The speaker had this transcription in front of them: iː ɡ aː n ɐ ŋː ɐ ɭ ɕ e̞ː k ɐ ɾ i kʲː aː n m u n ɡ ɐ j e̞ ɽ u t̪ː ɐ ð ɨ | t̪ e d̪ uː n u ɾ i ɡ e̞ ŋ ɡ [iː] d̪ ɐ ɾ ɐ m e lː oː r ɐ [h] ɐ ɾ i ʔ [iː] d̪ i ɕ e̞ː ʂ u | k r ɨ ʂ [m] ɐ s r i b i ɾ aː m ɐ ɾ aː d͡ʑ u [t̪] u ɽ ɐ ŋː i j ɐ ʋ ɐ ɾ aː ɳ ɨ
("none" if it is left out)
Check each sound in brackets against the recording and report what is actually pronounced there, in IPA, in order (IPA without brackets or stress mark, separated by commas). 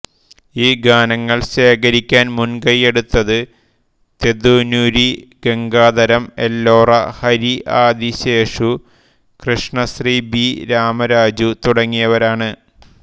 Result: aː, h, aː, ɳ, t̪